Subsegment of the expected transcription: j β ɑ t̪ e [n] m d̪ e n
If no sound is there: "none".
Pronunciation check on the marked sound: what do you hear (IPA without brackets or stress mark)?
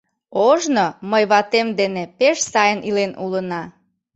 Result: none